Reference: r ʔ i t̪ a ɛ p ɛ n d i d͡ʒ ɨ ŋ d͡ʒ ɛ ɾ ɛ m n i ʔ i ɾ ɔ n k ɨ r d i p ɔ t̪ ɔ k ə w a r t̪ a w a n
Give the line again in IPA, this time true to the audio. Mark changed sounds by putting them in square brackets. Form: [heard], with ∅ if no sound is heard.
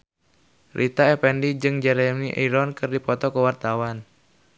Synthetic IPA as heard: r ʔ i t̪ a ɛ p ɛ n d i d͡ʒ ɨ ŋ d͡ʒ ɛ ɾ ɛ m n i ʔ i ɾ ɔ n k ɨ r d i p ɔ t̪ ɔ k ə w a r t̪ a w a n